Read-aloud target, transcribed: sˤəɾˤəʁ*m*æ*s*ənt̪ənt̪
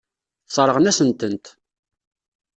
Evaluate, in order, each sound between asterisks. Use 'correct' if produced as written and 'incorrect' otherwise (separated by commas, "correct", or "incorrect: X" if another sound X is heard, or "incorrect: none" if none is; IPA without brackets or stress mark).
incorrect: n, correct